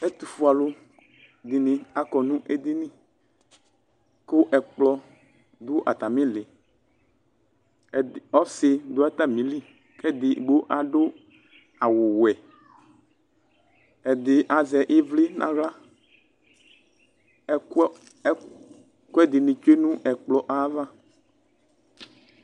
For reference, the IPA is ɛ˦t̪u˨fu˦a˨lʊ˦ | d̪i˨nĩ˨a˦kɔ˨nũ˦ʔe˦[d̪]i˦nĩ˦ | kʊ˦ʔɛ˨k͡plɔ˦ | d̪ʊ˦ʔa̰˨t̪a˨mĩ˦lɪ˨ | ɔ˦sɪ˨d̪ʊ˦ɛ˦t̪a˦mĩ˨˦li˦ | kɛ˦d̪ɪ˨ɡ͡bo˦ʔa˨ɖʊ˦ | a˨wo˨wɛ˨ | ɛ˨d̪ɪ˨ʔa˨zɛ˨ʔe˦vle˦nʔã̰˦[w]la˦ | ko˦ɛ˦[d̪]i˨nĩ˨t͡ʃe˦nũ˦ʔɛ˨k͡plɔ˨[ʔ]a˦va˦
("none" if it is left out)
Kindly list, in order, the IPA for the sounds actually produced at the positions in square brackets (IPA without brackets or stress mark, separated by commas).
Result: d̪, ɣ, d̪, ʔ